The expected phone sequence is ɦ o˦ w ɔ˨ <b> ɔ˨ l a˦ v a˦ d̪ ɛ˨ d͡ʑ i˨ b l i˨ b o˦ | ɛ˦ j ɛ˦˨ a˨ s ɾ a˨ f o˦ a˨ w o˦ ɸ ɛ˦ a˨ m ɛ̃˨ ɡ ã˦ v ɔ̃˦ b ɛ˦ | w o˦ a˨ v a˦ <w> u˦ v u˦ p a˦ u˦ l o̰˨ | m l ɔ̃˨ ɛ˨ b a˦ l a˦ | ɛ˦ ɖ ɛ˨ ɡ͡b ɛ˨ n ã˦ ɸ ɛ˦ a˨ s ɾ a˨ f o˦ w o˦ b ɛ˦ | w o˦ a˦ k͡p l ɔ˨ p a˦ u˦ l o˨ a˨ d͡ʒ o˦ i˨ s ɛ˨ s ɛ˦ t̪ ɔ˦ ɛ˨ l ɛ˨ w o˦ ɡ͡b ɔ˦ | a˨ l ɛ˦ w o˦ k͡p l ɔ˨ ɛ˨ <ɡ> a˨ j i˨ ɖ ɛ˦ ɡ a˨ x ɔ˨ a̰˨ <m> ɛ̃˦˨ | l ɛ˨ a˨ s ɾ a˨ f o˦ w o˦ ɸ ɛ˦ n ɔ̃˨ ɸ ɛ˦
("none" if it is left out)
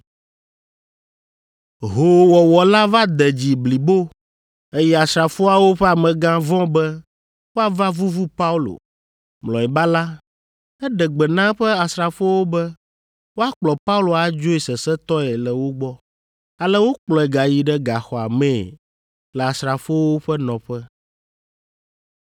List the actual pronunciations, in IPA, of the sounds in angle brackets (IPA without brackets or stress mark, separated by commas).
w, v, ɡ, m